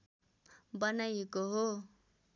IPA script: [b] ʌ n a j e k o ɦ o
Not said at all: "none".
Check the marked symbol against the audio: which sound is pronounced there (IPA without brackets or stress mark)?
b